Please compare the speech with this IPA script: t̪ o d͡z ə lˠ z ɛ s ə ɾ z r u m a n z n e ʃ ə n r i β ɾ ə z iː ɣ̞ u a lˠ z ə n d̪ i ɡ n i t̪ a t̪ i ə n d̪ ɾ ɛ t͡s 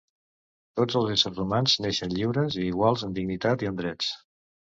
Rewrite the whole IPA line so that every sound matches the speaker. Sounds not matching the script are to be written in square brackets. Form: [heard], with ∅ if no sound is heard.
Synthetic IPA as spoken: t̪ o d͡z ə lˠ z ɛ s ə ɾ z r u m a n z n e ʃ ə n [ʎ] i [w] ɾ ə z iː ɣ̞ [w] a lˠ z ə n d̪ i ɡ n i t̪ a t̪ i ə n d̪ ɾ ɛ t͡s